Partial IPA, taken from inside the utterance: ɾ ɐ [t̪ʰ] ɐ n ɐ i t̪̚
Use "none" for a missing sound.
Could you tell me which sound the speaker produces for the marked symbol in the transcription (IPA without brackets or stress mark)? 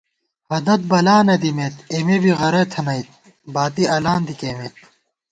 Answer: t̪ʰ